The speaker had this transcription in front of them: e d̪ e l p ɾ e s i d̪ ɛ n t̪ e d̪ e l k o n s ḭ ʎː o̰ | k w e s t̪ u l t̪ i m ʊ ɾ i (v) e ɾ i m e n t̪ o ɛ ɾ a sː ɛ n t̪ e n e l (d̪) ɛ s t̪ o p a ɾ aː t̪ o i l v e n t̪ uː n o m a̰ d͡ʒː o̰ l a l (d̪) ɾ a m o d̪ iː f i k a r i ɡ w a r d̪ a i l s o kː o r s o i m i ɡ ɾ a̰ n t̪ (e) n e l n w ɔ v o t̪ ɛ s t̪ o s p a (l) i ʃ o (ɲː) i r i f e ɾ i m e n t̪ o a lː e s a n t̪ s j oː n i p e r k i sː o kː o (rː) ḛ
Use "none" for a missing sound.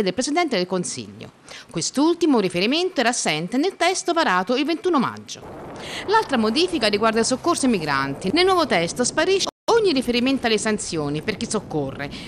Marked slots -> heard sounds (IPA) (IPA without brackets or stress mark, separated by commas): f, t̪, t̪, i, ɾ, ɲː, rː